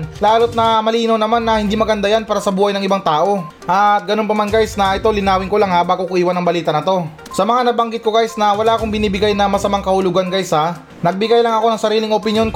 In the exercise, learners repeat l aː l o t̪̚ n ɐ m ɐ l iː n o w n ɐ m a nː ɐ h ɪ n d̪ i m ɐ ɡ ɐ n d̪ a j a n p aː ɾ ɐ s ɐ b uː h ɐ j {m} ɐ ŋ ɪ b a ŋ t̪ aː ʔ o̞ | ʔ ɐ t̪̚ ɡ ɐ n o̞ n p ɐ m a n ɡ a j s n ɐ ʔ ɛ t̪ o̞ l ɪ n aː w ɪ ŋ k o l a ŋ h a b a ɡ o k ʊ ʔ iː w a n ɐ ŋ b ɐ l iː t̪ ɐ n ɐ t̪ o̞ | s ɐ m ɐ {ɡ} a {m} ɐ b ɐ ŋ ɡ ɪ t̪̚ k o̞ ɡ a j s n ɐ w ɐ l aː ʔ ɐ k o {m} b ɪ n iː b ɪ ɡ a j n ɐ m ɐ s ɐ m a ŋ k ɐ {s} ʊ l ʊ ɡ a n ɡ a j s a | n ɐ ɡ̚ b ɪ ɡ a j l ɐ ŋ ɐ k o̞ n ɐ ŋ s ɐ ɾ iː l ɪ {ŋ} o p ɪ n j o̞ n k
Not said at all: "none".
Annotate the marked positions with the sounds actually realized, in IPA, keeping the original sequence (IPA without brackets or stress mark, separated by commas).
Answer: n, ŋ, n, ŋ, h, ŋ